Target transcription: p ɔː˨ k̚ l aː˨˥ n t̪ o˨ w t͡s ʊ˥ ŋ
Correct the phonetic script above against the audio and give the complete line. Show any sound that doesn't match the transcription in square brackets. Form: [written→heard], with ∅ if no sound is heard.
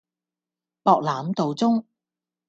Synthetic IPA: p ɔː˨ k̚ l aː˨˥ [n→m] t̪ o˨ w t͡s ʊ˥ ŋ